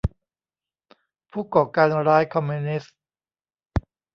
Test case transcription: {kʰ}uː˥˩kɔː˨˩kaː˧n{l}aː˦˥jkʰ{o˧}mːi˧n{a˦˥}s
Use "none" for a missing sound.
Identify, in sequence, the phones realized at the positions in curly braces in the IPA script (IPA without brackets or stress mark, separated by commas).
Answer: pʰ, ɾ, ɔ˧, i˦˥